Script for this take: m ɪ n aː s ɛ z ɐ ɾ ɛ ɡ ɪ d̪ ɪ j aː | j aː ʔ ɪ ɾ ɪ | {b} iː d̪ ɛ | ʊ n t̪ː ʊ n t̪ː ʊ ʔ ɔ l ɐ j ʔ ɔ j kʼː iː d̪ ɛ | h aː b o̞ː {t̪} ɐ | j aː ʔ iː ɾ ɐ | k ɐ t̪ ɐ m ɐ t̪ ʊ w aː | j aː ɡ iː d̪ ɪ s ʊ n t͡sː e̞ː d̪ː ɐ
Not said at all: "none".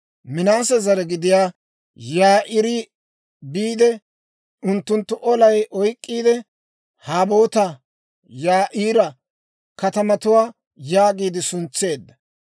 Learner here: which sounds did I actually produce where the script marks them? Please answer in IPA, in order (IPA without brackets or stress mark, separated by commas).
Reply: b, t̪